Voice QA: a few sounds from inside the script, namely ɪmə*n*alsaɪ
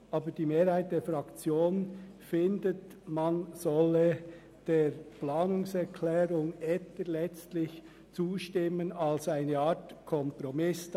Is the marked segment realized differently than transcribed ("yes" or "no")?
no